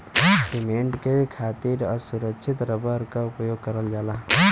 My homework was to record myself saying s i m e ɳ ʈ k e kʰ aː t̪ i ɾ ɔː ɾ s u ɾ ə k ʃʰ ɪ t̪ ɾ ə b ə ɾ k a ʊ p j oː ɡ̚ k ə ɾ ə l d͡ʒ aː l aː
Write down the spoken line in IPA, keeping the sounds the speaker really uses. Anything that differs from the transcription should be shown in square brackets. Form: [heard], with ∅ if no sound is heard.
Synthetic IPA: s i m e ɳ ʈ k e kʰ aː t̪ i ɾ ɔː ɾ s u ɾ ə k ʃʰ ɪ t̪ ɾ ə b ə ɾ k a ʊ p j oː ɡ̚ k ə ɾ ə l d͡ʒ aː l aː